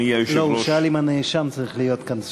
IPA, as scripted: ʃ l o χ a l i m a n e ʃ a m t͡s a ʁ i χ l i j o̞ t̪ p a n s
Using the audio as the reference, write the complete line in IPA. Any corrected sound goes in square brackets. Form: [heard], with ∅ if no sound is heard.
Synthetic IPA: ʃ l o [ʃ] a l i m a n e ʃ a m t͡s a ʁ i χ l i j o̞ t̪ [k] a n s